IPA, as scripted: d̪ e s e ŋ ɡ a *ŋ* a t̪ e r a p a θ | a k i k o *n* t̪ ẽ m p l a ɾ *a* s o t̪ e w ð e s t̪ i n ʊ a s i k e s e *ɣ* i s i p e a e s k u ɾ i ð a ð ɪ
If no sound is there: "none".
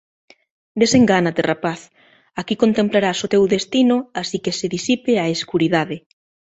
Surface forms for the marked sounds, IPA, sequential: n, n, a, ð

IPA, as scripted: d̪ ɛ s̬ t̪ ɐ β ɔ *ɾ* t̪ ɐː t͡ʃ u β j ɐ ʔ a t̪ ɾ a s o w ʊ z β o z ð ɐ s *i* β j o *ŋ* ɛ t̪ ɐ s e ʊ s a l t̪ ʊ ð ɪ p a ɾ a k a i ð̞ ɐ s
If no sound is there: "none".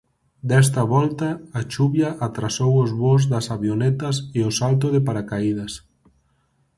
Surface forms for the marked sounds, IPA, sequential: l, a, n

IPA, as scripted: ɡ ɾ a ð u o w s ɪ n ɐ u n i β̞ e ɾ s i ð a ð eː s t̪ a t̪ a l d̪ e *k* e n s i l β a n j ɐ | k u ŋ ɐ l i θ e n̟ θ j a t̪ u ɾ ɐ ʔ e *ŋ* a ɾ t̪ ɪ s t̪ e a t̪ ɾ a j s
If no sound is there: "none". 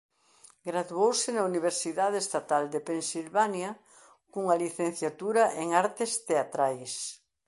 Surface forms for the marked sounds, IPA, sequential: p, ŋ

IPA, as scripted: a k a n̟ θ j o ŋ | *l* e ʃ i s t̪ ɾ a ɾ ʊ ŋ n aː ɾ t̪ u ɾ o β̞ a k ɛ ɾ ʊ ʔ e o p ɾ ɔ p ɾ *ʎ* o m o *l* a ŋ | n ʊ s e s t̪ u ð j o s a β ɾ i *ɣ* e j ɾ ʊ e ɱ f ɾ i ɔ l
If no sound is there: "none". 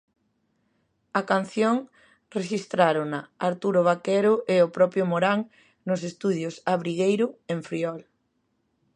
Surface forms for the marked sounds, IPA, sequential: r, j, ɾ, ɣ

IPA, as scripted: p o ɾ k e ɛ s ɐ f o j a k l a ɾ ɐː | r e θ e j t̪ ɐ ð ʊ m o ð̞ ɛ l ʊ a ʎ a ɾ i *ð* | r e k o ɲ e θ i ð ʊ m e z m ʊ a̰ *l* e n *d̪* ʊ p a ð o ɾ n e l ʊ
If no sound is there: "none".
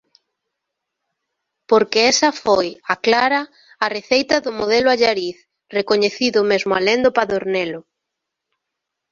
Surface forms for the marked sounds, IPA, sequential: θ, l, d̪

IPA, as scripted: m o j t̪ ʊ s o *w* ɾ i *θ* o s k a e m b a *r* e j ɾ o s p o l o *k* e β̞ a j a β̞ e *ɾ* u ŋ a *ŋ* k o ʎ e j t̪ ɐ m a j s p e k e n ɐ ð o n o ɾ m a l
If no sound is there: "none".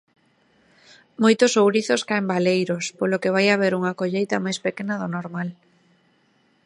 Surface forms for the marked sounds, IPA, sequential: w, θ, l, k, ɾ, none

